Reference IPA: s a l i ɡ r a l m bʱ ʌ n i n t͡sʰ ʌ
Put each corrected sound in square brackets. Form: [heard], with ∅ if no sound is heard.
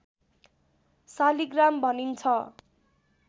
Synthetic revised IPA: s a l i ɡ r a [∅] m bʱ ʌ n i n t͡sʰ ʌ